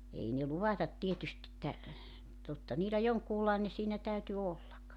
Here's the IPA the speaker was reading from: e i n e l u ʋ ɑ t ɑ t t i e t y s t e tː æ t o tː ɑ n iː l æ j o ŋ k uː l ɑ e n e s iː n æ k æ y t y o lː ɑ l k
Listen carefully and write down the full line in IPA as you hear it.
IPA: e i n e l u ʋ ɑ t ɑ t t i e t y s t e tː æ t o tː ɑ n iː l æ j o ŋ k uː l ɑ e n e s iː n æ t æ y t y o lː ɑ k